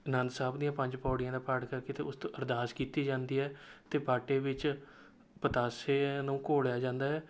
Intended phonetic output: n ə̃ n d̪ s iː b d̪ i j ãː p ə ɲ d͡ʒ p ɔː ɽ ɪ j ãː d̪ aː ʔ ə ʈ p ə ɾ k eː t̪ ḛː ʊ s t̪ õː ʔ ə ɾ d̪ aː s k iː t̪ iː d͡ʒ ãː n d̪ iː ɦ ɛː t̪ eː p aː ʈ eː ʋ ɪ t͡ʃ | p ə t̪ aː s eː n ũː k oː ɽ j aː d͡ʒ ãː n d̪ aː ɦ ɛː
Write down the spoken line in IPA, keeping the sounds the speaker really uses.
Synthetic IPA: n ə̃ n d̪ s aː b d̪ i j ãː p ə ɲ d͡ʒ p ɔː ɽ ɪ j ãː d̪ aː p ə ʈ k ə ɾ k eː t̪ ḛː ʊ s t̪ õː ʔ ə ɾ d̪ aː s k iː t̪ iː d͡ʒ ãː n d̪ iː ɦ ɛː t̪ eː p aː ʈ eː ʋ ɪ t͡ʃ | p ə t̪ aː s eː n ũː k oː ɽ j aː d͡ʒ ãː n d̪ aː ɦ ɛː